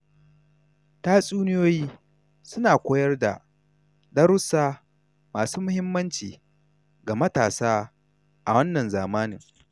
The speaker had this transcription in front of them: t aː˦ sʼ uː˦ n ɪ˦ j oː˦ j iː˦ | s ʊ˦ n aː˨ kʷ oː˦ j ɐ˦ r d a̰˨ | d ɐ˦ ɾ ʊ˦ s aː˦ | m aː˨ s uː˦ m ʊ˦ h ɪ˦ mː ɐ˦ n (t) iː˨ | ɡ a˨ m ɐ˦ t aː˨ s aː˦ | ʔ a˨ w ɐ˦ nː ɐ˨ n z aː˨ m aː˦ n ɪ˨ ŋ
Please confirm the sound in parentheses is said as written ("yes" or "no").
no